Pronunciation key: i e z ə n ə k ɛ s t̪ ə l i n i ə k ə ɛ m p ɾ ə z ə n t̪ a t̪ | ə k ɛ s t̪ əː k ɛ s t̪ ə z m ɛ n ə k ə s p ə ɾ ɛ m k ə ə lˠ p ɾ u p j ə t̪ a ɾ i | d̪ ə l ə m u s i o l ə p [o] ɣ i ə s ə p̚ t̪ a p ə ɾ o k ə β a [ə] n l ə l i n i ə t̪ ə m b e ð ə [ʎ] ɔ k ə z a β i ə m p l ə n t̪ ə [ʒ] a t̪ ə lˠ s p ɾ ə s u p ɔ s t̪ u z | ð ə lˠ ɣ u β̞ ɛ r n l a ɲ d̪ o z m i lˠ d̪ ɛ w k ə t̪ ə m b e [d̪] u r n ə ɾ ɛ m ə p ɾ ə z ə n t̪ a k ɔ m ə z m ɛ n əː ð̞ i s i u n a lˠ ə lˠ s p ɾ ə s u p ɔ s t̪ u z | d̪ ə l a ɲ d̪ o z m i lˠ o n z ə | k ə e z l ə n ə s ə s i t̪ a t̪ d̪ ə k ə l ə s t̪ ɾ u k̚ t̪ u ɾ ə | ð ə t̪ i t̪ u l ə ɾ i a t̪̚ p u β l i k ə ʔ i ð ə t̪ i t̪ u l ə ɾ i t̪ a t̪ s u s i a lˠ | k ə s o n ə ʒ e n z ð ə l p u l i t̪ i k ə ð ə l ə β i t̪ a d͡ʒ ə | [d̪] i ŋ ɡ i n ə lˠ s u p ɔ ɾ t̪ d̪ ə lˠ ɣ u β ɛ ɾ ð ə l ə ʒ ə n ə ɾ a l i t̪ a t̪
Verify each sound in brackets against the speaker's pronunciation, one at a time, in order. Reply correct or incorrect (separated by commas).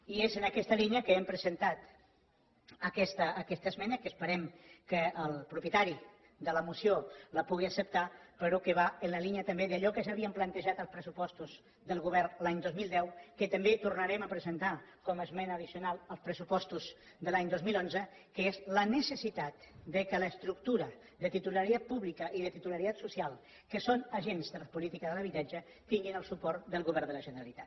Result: incorrect, correct, correct, correct, incorrect, incorrect